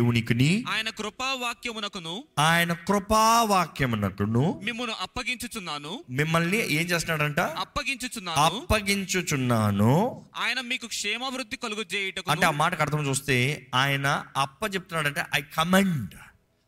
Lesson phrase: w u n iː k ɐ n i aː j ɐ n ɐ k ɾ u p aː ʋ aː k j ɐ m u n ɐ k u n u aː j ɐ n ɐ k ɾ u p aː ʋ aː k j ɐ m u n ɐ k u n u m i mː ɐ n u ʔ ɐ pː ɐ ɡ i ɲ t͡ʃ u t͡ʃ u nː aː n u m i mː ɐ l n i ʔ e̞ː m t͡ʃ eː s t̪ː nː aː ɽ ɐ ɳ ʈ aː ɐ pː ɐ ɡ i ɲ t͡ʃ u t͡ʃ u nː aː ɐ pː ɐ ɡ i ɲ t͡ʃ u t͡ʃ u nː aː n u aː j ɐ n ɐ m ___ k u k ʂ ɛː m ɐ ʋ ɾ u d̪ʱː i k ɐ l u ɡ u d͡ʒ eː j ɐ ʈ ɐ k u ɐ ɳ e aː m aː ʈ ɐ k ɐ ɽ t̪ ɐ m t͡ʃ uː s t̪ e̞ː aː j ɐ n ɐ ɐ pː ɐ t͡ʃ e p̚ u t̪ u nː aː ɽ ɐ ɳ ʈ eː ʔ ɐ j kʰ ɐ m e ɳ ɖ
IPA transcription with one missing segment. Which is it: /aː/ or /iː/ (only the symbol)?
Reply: iː